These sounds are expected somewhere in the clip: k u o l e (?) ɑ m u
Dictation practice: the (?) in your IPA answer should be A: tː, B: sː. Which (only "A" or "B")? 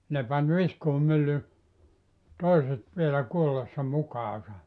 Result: B